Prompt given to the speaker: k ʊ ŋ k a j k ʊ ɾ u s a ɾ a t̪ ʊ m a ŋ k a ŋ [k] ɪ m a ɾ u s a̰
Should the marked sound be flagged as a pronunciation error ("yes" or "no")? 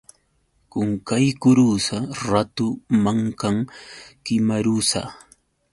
no